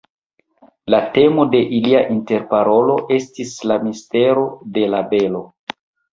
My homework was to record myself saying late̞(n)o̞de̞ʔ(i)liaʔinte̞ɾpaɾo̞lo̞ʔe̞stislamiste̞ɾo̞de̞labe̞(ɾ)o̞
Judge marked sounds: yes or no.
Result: no, yes, no

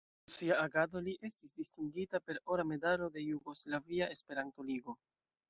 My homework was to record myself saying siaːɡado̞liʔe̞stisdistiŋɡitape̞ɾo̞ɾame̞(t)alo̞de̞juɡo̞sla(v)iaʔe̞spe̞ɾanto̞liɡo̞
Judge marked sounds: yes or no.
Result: no, yes

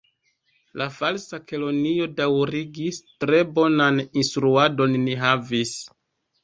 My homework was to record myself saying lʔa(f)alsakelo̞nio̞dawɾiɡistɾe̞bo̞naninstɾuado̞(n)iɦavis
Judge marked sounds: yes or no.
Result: yes, no

